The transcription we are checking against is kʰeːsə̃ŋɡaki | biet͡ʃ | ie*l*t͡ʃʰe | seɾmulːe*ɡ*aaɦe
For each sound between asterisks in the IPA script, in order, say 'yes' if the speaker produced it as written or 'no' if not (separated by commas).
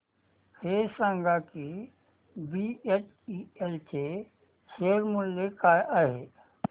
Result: yes, no